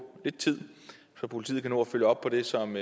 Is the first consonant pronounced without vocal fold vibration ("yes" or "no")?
no